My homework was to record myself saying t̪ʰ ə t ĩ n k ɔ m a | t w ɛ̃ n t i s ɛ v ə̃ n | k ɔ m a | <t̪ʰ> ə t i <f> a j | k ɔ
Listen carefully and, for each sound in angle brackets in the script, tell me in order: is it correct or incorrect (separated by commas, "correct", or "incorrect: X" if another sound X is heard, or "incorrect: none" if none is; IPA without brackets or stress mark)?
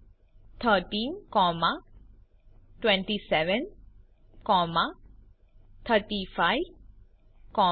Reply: correct, correct